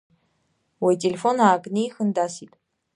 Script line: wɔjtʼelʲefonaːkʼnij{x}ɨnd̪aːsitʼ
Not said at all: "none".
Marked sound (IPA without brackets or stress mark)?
x